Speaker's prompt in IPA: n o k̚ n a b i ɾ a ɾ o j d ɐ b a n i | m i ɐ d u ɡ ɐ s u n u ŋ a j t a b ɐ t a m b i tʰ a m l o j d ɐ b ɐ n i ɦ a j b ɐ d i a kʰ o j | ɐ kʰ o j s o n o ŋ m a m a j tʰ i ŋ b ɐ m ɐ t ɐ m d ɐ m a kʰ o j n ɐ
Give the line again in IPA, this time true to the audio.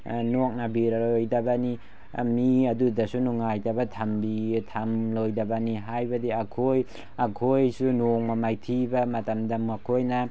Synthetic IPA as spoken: n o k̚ n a b i ɾ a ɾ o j d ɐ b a n i | m i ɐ d u d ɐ s u n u ŋ a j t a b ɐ tʰ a m b i tʰ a m l o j d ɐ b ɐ n i ɦ a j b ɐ d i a kʰ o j | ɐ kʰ o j s u n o ŋ m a m a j tʰ i b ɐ m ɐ t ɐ m d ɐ m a kʰ o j n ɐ